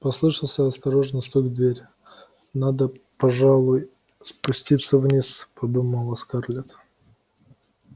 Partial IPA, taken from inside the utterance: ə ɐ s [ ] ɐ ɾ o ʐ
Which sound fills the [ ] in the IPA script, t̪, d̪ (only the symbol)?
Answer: t̪